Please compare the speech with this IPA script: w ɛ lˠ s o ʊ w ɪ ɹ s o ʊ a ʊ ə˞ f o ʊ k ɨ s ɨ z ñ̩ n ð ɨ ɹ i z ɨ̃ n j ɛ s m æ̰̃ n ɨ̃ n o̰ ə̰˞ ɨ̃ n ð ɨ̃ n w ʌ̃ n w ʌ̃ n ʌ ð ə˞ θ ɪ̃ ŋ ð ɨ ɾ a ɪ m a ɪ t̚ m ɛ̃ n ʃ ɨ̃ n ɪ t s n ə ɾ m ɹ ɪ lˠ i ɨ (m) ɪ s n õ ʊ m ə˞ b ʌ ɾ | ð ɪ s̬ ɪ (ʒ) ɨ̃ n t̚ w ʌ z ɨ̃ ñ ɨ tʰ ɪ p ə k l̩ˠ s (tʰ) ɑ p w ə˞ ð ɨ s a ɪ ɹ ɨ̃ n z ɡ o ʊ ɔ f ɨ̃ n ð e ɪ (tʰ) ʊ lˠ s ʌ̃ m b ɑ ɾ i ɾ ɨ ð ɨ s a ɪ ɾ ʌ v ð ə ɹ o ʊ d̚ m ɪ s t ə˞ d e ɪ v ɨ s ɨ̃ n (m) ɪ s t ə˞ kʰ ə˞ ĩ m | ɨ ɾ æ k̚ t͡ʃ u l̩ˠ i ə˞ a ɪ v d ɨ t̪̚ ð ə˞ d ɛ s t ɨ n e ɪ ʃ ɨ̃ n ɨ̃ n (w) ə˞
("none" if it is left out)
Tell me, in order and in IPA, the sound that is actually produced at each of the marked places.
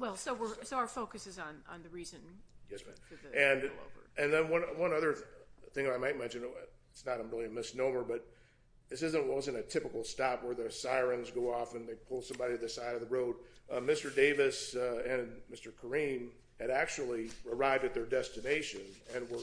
m, z, t, pʰ, m, w

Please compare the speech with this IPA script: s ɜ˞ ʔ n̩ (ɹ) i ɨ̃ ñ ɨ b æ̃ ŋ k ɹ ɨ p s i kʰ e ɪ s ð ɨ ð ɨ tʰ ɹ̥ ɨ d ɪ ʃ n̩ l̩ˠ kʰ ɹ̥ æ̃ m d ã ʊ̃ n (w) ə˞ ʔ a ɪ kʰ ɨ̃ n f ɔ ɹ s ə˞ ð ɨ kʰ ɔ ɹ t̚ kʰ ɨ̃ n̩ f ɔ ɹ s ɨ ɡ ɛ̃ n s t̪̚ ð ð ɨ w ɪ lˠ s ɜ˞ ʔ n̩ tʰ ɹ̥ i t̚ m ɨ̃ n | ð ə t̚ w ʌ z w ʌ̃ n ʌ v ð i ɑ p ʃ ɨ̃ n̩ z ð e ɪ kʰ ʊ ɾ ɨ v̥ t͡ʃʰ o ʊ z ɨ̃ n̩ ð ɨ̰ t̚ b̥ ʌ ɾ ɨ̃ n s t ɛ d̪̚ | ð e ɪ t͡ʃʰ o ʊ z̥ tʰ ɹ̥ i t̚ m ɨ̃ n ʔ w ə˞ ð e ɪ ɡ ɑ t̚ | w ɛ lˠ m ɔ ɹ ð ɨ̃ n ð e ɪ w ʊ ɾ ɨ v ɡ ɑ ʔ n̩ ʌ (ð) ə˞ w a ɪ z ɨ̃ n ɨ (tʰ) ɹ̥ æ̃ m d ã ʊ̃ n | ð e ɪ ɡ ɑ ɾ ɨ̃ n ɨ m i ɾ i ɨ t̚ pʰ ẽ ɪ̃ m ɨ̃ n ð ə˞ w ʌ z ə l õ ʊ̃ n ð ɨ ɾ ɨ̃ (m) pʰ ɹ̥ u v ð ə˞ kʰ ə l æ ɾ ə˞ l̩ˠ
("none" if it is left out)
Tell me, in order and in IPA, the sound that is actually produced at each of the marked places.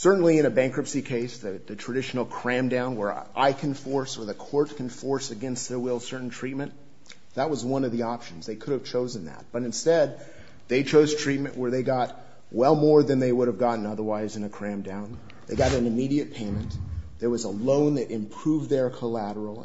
l, w, ð, kʰ, m

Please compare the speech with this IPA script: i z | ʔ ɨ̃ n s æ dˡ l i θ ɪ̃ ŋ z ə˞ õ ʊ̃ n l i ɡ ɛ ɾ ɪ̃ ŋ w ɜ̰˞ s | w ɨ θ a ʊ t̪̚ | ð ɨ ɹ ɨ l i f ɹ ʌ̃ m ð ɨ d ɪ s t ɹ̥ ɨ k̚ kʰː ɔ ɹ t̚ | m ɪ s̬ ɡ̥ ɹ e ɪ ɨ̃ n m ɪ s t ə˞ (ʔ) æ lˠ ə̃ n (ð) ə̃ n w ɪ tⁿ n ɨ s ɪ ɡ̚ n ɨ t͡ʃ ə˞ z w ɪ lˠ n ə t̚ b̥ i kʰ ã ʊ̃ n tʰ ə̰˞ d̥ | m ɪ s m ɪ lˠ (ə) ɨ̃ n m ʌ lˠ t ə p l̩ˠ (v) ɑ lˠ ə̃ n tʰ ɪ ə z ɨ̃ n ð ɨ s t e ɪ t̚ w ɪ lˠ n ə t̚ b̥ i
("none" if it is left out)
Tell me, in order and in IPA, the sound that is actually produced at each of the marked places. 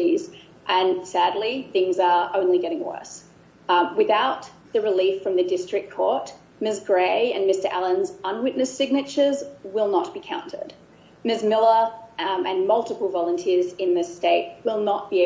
ʔ, z, ə, v

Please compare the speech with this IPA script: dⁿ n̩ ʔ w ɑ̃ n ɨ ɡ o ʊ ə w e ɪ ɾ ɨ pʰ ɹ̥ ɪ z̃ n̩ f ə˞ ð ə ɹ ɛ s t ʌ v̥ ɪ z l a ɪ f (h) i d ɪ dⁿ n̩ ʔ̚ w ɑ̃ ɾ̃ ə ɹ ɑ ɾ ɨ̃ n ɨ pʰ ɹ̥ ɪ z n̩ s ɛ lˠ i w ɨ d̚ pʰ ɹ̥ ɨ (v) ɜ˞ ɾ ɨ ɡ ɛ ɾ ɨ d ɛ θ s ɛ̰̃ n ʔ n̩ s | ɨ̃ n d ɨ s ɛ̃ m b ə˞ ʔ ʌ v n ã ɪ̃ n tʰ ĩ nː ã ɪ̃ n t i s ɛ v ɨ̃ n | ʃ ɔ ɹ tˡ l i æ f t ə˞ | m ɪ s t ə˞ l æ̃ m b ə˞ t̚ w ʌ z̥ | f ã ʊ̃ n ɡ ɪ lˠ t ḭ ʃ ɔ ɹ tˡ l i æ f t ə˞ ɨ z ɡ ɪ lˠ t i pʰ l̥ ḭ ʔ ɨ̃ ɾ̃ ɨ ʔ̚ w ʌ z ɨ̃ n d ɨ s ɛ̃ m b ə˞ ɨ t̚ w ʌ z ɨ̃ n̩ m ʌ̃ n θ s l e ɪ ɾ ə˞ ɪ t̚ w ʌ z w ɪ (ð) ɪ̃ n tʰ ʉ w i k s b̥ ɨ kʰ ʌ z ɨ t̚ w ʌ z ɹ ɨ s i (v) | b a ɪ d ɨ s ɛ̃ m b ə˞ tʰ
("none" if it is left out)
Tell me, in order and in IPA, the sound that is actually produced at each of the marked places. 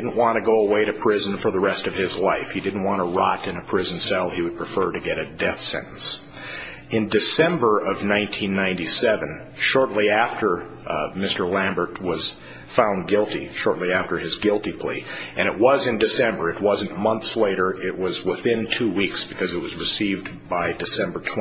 h, f, θ, v

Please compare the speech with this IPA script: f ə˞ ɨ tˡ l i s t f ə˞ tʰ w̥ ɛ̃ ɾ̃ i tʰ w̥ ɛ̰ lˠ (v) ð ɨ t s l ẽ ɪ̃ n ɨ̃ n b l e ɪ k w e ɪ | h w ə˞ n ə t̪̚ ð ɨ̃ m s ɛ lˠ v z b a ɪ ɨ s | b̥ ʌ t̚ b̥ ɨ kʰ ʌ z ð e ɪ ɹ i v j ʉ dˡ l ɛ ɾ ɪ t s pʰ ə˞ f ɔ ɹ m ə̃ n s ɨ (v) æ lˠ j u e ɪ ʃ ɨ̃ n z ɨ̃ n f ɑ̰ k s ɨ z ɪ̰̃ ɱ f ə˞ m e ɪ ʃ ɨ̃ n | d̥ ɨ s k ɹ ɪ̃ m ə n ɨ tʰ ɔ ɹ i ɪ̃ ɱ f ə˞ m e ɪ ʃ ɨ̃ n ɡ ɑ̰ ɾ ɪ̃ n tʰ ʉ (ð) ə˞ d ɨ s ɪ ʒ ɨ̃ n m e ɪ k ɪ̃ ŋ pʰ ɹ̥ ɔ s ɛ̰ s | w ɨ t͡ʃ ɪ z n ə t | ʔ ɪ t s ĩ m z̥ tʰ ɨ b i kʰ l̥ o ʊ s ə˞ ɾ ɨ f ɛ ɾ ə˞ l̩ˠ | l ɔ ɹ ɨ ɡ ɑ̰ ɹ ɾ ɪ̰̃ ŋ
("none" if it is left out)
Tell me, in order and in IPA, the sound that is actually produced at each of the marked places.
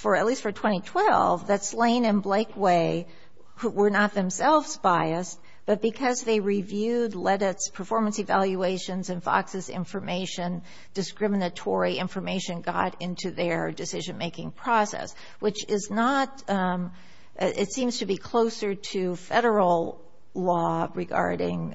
v, v, ð

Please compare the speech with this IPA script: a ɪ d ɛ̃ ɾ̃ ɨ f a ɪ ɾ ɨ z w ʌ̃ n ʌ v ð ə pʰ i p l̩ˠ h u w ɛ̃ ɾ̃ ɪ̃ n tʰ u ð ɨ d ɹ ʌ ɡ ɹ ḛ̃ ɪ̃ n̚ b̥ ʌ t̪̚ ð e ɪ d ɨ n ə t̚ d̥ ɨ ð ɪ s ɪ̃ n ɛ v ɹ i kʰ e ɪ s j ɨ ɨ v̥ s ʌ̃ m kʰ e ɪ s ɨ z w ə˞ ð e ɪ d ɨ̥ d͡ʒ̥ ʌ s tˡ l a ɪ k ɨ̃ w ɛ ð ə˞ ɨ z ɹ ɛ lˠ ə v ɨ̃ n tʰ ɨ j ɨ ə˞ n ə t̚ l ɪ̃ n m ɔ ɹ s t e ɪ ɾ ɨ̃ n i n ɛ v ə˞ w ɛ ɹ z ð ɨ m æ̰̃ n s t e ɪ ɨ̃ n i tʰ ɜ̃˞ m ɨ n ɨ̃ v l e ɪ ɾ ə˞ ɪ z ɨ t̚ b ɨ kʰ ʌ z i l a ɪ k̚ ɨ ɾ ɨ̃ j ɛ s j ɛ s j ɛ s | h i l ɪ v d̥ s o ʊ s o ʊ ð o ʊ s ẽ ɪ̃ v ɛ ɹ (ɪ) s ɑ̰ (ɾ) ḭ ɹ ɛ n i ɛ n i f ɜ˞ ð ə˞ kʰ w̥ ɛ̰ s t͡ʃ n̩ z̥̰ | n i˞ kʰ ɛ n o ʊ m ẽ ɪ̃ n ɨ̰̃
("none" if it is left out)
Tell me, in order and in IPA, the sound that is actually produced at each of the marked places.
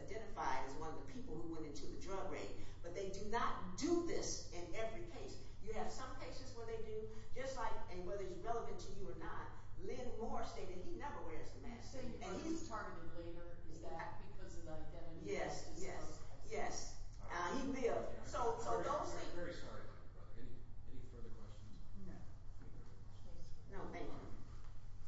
i, ɹ

